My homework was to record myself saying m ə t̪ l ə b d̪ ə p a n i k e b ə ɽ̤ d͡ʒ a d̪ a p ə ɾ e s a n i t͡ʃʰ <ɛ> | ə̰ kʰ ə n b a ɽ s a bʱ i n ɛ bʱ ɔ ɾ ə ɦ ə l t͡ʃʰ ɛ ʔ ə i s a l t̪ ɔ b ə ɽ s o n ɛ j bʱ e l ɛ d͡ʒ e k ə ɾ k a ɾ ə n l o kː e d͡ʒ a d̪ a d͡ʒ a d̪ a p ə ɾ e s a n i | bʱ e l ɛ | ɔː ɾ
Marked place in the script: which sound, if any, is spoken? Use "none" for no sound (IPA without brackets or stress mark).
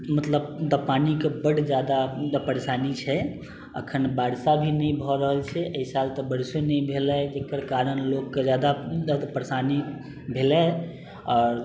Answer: ɛ